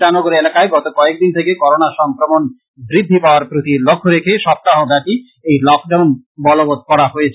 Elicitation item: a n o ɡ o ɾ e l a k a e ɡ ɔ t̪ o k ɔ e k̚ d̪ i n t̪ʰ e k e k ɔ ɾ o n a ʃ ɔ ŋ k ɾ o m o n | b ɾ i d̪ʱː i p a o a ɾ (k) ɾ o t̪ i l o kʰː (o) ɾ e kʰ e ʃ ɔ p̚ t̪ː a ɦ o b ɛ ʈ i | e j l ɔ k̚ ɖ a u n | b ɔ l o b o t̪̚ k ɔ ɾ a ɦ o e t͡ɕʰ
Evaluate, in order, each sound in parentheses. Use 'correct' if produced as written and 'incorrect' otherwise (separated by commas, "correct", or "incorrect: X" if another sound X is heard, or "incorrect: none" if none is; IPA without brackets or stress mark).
incorrect: p, correct